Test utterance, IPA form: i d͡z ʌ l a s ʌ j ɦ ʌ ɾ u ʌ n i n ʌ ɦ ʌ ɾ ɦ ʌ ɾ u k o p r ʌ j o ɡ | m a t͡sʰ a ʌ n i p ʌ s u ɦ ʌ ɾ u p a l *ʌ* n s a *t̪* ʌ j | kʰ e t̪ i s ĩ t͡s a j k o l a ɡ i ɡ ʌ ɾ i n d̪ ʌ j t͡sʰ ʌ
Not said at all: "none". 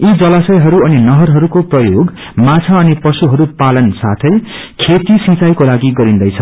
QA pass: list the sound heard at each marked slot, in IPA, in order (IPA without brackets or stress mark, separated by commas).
ʌ, t̪ʰ